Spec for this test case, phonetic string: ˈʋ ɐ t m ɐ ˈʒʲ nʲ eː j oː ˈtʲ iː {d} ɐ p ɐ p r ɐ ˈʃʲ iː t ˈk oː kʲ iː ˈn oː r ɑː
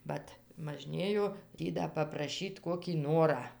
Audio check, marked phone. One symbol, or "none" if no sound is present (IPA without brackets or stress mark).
d